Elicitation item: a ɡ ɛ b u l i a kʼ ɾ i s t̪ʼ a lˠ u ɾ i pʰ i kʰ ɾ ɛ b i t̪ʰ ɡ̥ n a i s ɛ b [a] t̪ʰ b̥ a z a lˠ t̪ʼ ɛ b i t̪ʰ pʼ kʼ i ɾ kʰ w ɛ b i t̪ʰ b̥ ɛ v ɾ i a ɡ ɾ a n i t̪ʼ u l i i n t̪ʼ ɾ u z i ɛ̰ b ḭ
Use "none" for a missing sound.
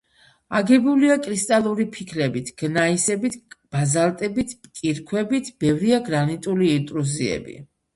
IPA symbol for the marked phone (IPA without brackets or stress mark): i